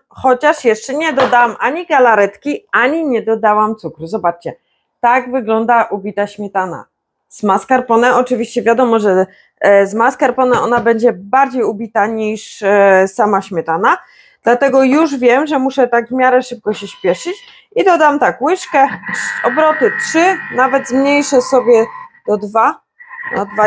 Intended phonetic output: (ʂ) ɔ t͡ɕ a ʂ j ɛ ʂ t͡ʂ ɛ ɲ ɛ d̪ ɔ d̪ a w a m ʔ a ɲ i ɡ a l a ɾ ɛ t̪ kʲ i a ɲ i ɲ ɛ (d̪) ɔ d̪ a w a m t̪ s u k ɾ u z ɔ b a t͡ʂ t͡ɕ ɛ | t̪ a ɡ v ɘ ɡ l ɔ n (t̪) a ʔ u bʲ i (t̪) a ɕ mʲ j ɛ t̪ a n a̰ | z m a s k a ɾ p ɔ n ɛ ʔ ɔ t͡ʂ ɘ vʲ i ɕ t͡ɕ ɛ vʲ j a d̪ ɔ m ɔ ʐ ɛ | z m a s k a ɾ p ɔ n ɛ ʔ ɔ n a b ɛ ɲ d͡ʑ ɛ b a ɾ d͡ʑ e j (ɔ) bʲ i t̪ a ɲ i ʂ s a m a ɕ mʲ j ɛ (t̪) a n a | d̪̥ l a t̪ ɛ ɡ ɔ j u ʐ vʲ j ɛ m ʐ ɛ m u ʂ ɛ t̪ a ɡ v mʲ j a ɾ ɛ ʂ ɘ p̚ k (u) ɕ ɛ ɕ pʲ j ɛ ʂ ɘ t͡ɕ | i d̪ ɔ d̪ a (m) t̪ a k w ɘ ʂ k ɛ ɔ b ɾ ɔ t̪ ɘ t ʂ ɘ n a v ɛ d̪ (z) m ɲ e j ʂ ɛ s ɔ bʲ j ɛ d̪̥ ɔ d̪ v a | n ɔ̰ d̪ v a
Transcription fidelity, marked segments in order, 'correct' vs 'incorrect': incorrect, correct, incorrect, correct, incorrect, correct, incorrect, correct, correct

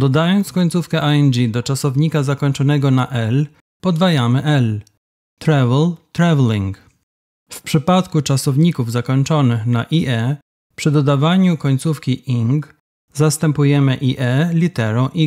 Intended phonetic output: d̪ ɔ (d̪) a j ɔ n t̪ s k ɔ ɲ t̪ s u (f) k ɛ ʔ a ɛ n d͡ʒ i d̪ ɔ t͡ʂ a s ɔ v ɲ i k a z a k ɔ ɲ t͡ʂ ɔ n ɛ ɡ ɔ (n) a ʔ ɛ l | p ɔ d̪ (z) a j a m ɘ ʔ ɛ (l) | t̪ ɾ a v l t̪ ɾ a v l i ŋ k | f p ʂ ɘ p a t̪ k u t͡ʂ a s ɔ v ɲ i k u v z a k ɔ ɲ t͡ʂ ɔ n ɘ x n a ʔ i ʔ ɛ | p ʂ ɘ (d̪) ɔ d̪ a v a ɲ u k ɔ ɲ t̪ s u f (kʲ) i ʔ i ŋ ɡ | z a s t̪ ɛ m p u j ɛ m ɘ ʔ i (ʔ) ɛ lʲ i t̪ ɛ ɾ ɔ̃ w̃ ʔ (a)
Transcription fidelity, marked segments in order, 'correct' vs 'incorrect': correct, correct, correct, incorrect, correct, correct, correct, correct, incorrect

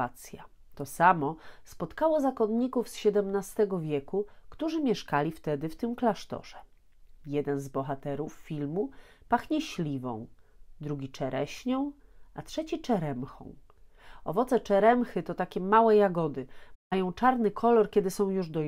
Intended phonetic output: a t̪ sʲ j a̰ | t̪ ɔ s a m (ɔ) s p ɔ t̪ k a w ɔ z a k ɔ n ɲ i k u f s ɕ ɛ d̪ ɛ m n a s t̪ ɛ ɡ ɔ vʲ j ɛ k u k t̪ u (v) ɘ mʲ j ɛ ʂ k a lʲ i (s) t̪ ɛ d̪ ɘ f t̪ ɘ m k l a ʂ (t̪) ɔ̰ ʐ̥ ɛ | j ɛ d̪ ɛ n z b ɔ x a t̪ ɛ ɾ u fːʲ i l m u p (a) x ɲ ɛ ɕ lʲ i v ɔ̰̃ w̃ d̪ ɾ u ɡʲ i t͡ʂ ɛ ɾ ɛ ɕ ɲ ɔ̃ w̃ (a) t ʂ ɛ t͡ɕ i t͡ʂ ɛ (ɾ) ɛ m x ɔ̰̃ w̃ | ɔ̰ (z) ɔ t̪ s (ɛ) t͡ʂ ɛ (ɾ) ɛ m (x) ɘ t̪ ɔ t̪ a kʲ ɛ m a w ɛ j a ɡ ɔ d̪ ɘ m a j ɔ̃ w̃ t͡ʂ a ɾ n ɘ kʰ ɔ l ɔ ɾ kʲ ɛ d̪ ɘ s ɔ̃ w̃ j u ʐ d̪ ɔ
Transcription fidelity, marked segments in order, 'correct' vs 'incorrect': correct, incorrect, incorrect, correct, correct, correct, correct, incorrect, correct, correct, correct

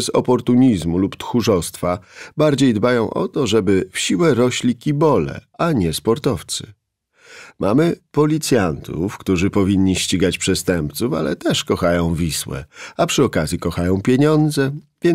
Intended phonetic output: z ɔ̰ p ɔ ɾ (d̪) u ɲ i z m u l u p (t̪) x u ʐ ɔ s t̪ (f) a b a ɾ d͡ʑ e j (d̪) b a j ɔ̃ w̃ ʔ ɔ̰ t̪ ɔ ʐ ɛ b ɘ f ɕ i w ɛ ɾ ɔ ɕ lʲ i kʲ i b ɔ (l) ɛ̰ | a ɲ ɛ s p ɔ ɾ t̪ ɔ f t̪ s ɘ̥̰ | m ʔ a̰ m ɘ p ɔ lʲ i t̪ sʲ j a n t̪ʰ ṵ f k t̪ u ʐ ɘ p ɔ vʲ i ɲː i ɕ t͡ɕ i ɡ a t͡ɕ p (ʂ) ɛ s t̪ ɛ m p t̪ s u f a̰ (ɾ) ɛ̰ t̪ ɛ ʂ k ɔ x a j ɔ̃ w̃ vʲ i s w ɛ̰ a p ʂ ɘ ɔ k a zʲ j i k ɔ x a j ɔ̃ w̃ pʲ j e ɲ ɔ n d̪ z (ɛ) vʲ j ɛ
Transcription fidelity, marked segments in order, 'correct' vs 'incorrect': incorrect, correct, correct, correct, correct, correct, incorrect, correct

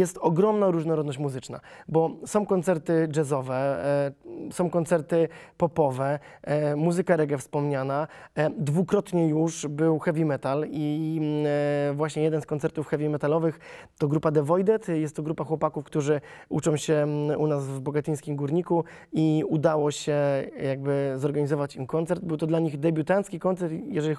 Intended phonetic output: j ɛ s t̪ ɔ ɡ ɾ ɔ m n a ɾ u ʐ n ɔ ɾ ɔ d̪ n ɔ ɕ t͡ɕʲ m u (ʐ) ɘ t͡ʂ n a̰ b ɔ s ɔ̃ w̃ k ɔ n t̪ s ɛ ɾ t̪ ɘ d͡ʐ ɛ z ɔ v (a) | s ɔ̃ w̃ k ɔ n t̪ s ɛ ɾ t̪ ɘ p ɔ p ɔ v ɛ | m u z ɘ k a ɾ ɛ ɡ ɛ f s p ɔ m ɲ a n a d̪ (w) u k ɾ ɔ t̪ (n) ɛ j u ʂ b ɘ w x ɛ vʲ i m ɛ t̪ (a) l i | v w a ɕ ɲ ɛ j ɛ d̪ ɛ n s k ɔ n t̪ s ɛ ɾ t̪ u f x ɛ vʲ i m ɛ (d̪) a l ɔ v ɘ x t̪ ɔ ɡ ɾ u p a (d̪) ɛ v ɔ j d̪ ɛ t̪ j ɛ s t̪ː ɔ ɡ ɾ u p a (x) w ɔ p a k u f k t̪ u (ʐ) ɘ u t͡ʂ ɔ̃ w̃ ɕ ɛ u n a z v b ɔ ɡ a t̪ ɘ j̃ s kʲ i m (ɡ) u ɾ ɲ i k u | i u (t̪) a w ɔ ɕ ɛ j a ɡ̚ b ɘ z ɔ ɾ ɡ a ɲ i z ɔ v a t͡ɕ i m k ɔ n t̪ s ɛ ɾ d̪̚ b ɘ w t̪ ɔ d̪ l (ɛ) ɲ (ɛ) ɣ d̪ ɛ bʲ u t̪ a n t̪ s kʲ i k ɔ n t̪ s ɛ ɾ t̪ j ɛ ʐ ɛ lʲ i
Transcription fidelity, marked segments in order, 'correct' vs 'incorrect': incorrect, incorrect, incorrect, incorrect, correct, incorrect, correct, correct, correct, correct, incorrect, incorrect, incorrect

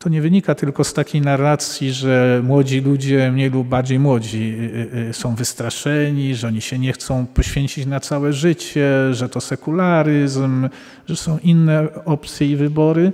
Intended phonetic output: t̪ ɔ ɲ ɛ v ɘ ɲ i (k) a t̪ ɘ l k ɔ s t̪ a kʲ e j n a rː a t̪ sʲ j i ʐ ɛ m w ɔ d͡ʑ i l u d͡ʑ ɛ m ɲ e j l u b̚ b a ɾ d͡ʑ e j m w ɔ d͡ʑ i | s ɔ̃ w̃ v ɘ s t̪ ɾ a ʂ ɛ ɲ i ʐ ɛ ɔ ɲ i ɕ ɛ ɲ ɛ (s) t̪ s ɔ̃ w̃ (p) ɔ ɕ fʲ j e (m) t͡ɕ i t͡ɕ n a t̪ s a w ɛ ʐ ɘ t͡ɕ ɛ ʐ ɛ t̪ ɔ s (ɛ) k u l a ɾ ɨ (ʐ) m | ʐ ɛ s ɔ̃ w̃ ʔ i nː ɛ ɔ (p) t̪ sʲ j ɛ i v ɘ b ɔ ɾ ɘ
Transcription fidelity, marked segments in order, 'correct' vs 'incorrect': correct, incorrect, correct, incorrect, correct, incorrect, correct

